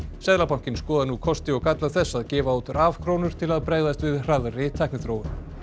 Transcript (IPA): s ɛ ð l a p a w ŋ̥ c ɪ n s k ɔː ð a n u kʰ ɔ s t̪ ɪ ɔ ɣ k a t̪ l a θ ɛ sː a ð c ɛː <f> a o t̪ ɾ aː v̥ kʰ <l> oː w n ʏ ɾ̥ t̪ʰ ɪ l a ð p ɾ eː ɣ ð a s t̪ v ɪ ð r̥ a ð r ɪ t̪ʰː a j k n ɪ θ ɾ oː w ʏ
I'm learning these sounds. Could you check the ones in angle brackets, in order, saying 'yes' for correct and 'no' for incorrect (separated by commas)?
no, no